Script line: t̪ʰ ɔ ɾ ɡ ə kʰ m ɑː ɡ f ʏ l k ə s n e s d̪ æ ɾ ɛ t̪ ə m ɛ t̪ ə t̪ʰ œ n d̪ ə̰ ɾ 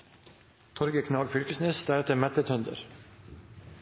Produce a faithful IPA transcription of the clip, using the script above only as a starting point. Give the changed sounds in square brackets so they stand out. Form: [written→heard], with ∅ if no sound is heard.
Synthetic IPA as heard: t̪ʰ ɔ ɾ ɡ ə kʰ [m→n] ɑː ɡ f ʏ l k ə s n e s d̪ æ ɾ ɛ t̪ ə m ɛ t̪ ə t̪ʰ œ n d̪ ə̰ ɾ